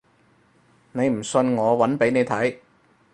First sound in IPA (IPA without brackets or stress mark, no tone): n